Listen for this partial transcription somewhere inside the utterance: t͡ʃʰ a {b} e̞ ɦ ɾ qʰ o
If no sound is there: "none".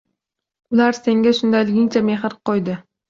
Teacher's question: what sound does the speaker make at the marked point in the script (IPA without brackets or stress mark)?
m